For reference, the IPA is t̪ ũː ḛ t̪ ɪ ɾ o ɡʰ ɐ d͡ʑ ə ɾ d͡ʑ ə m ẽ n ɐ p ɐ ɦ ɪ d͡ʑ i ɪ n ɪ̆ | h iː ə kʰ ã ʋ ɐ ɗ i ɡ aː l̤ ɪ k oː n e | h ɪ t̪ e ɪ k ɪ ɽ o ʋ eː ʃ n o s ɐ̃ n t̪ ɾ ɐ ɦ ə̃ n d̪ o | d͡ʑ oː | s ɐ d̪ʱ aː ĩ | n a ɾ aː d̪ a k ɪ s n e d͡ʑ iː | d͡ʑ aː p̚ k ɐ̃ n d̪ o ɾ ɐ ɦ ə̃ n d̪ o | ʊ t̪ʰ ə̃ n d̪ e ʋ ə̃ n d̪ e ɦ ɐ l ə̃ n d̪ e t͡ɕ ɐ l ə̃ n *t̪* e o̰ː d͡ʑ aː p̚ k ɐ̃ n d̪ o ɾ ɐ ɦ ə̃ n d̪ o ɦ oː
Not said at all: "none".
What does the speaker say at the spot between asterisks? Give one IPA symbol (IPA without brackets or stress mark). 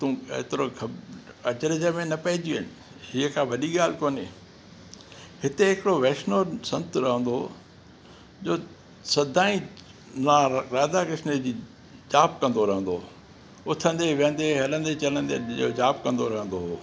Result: d̪